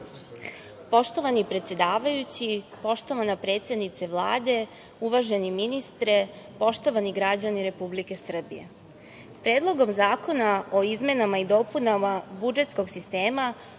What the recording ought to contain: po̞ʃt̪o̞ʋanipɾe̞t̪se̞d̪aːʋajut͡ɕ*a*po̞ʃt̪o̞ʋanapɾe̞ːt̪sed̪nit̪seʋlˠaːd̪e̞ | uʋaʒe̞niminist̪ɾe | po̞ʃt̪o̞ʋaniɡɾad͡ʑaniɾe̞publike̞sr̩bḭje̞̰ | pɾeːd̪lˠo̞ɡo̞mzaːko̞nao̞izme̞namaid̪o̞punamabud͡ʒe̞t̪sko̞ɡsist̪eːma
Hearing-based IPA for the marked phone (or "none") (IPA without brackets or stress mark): i